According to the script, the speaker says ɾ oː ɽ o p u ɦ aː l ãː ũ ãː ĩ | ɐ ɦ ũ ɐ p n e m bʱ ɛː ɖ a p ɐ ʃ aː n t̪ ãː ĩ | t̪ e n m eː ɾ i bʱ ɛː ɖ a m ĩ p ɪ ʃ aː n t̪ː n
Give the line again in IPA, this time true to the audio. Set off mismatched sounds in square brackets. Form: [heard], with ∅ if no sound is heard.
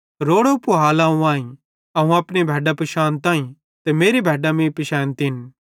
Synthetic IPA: ɾ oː ɽ o p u ɦ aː l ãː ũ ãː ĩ | ɐ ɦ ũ ɐ p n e [∅] bʱ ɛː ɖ a p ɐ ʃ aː n t̪ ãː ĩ | t̪ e [∅] m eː ɾ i bʱ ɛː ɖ a m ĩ p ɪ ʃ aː n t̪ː n